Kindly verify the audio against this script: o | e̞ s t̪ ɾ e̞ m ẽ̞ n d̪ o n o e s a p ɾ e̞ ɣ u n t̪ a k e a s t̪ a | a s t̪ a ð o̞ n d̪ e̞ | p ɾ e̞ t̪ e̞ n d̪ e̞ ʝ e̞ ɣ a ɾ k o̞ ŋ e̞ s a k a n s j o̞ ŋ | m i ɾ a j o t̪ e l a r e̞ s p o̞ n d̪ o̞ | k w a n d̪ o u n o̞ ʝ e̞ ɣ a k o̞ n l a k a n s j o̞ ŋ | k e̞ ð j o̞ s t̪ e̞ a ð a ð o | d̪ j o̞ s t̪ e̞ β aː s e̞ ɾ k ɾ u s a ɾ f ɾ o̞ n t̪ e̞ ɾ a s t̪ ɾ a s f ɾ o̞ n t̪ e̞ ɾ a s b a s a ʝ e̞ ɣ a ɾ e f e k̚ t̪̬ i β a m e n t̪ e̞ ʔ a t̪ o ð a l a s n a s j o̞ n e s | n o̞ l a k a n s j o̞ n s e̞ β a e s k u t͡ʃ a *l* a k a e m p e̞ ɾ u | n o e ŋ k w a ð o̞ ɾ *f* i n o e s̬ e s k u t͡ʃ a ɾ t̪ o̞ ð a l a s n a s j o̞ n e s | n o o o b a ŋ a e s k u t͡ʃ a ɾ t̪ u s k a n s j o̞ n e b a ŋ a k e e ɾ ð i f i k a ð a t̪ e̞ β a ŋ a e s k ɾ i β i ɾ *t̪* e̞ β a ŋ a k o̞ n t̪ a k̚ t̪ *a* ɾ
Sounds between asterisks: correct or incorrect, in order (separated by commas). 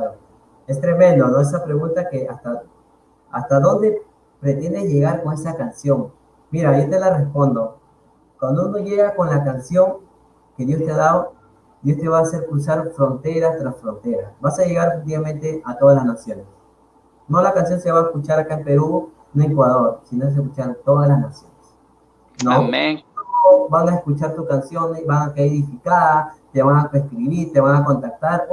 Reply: incorrect, incorrect, correct, correct